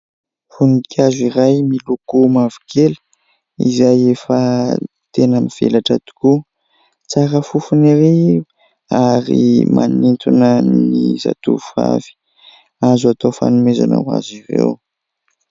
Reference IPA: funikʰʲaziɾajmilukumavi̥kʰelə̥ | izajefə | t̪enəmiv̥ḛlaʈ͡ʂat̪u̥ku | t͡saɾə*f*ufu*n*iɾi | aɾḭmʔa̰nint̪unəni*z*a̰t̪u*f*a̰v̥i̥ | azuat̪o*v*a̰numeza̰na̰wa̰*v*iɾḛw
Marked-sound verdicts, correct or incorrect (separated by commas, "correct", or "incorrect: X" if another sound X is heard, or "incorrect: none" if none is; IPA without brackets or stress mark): correct, correct, correct, correct, incorrect: f, incorrect: z